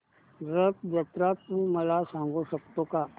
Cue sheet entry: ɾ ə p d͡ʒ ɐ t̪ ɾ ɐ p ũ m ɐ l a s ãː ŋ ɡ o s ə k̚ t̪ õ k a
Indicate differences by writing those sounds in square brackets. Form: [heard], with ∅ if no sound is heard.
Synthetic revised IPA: ɾ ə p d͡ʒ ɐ t̪ ɾ [a] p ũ m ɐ l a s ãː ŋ ɡ o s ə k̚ t̪ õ k a